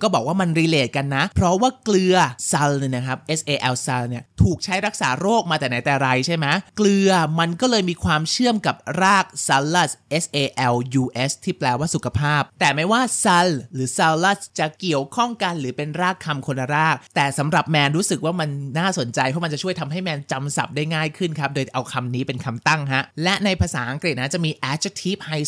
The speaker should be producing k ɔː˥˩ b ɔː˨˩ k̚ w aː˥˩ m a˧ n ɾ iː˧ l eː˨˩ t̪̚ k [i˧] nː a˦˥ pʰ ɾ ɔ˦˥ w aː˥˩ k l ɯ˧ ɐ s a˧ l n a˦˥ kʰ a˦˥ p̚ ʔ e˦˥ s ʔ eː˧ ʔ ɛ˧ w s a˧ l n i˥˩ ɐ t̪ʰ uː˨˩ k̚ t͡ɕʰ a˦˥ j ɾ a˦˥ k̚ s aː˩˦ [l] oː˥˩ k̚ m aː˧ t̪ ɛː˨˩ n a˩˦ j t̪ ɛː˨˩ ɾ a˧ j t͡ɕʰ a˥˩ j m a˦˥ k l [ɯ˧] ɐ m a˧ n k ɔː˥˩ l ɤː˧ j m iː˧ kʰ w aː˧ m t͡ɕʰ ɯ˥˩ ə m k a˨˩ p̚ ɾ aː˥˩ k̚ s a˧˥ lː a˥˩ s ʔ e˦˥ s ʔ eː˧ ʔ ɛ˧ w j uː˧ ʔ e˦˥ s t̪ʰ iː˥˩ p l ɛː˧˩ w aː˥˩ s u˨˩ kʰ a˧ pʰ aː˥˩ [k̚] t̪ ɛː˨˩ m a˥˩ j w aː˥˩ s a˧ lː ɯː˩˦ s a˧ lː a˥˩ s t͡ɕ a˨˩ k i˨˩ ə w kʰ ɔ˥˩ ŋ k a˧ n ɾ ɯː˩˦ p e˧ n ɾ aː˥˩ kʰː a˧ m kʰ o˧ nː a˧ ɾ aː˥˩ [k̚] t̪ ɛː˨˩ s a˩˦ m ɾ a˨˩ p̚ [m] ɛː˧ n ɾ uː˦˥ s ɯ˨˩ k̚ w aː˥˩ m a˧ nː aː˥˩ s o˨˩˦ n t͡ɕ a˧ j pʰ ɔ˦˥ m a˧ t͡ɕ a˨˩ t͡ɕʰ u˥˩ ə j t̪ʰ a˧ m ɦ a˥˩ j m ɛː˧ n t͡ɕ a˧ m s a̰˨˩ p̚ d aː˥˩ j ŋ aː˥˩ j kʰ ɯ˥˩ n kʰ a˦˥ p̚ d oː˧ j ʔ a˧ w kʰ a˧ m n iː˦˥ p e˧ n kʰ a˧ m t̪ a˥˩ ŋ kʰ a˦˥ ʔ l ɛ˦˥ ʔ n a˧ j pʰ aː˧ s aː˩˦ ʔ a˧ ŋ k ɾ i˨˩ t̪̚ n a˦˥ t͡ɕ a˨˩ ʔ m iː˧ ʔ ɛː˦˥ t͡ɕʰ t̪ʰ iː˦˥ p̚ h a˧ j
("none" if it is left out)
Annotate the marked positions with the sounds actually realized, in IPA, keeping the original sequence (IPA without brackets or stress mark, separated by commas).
a˧, ɾ, ɯ˧, p̚, k̚, m